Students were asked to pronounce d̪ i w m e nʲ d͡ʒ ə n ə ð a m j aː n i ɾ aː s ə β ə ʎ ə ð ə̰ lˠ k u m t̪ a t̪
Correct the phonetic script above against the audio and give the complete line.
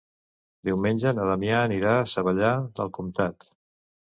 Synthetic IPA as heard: d̪ i w m e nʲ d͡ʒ ə n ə ð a m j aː n i ɾ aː s ə β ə ʎ a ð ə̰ lˠ k u m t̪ a t̪